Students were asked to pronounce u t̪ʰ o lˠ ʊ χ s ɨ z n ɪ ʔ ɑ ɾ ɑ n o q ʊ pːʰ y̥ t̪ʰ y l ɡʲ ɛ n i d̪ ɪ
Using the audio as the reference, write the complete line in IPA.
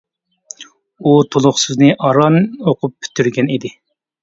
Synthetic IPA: u t̪ʰ o lˠ ʊ χ s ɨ z n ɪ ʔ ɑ ɾ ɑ n o q ʊ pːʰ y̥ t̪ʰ y ɾ ɡʲ ɛ n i d̪ ɪ

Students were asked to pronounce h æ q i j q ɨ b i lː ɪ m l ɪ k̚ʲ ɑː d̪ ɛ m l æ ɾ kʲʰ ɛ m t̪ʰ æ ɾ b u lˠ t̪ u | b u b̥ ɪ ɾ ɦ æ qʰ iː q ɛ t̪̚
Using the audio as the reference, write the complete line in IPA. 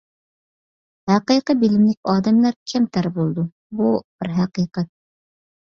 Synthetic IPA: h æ q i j q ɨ b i l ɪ m l ɪ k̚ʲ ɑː d̪ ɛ m l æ ɾ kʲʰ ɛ m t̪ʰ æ ɾ b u lˠ d̪ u | b u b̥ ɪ ɾ ɦ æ q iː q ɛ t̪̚

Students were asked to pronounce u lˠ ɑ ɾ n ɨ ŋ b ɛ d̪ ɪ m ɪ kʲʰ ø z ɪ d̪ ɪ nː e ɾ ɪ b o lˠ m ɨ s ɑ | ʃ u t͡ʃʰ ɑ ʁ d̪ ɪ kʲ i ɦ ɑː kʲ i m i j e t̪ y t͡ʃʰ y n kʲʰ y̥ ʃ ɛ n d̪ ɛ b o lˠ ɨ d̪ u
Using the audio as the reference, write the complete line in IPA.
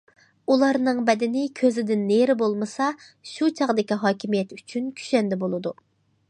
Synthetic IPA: u lˠ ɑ ɾ n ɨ ŋ b ɛ d̪ ɪ n ɪ kʲʰ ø z ɪ d̪ ɪ nː e ɾ ɪ b o lˠ m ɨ s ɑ | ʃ u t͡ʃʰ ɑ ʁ d̪ ɪ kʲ i ɦ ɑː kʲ i m i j ɛ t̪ y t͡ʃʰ y n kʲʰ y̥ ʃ ɛ n d̪ ɛ b o lˠ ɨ d̪ u

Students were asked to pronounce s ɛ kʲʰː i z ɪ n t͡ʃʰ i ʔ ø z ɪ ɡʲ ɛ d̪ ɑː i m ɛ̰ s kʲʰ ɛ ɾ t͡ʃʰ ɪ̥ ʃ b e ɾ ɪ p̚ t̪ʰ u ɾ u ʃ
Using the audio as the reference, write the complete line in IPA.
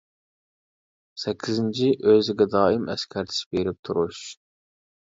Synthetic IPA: s ɛ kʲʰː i z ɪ n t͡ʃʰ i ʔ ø z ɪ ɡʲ ɛ d̪ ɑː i m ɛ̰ s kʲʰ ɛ ɾ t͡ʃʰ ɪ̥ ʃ b e ɾ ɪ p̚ t̪ʰ u ɾ u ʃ

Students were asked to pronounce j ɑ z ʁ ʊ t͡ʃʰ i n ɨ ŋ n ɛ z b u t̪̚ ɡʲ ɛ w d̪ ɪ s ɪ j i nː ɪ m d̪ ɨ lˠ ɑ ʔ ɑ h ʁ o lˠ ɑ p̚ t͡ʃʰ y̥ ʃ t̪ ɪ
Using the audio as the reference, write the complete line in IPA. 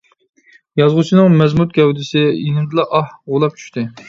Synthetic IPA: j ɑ z ʁ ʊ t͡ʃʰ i n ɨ ŋ m ɛ z m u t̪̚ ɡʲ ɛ w d̪ ɪ s ɪ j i n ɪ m d̪ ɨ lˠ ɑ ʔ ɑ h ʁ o lˠ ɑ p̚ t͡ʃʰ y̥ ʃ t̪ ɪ

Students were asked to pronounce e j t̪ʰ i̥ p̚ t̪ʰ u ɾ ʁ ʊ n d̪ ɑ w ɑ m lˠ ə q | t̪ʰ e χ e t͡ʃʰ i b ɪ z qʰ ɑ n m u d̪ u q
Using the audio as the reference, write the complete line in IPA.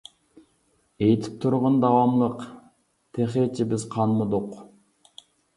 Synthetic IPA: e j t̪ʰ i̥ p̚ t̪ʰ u ɾ ʁ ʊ n d̪ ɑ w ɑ m lˠ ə q | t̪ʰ e χ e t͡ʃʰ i b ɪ z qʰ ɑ n m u d̪ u q

